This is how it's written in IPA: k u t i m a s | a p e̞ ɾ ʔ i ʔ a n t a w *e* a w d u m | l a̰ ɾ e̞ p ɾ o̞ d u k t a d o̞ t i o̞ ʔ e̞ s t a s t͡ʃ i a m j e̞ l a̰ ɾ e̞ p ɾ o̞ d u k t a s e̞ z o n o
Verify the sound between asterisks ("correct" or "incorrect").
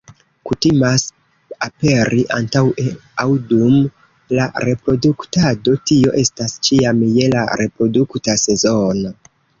correct